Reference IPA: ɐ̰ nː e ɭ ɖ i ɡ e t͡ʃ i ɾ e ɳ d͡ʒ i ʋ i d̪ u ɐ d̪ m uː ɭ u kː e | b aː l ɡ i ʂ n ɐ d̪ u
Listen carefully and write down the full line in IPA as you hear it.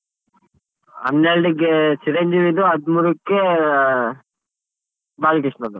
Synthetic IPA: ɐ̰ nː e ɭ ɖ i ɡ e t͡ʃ i ɾ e ɲ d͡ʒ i ʋ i d̪ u ɐ d̪ m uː ɾ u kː e | b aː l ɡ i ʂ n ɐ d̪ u

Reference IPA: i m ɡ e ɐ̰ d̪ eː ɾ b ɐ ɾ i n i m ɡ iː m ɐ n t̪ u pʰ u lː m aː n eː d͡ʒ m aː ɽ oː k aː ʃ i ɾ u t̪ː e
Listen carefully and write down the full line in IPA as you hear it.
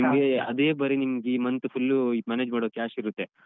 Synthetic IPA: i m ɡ e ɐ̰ d̪ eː b ɐ ɾ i n i m ɡ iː m ɐ n t̪ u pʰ u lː m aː n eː d͡ʒ m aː ɽ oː k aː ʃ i ɾ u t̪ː e

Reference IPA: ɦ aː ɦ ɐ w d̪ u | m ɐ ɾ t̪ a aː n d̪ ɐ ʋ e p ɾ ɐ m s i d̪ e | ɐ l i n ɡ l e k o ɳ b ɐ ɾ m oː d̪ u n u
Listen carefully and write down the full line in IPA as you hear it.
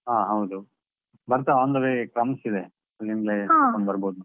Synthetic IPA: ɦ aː ɦ ɐ w d̪ u | b ɐ ɾ t̪ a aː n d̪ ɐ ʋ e k ɾ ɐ m s i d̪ e | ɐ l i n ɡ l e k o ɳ b ɐ ɾ b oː d̪ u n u

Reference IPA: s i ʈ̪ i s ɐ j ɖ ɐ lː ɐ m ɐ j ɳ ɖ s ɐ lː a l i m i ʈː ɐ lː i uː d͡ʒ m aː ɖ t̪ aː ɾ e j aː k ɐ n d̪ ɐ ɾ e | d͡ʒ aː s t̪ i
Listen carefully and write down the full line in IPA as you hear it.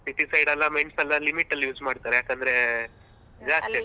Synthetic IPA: s i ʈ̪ i s ɐ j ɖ ɐ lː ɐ m ɐ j ɳ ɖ s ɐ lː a l i m i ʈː ɐ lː j uː d͡ʒ m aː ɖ t̪ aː ɾ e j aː k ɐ n d̪ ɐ ɾ e | d͡ʒ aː s t̪ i

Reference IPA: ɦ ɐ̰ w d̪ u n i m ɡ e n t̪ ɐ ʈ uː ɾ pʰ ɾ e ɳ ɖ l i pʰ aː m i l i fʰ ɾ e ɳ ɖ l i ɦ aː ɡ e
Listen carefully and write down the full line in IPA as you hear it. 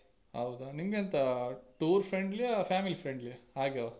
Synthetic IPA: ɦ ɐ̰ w d̪ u n i m ɡ e n t̪ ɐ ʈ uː ɾ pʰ ɾ e ɳ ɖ l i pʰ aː m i l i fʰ ɾ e ɳ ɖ l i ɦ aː ɡ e

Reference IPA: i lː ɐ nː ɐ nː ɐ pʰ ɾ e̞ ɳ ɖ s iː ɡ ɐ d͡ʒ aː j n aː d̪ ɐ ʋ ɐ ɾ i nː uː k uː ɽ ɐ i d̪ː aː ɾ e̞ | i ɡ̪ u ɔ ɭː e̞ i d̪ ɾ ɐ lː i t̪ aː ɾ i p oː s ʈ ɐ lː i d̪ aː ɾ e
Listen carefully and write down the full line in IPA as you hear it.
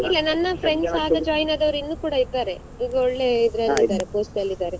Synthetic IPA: i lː ɐ n ɐ nː ɐ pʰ ɾ e̞ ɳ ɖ s aː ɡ ɐ d͡ʒ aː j n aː d̪ ɐ ʋ ɐ ɾ i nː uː k uː ɽ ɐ i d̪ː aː ɾ e̞ | i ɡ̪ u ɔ ɭː e̞ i d̪ ɾ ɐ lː i d̪ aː ɾ e p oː s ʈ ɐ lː i d̪ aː ɾ e

